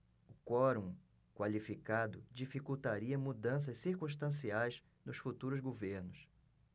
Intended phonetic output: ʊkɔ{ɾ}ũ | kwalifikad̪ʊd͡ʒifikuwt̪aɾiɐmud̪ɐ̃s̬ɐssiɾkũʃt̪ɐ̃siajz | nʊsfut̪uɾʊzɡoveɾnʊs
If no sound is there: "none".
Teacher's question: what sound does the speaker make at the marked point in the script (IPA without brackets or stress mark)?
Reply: ɾ